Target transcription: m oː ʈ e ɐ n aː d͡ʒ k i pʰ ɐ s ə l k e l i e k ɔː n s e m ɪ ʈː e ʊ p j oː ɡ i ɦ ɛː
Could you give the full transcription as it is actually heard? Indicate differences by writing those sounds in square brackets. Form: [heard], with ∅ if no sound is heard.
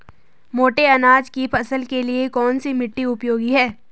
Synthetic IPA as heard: m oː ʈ e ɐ n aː d͡ʒ k i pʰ ɐ s ə l k e l i e k ɔː n s [i] m ɪ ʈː [i] ʊ p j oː ɡ i ɦ ɛː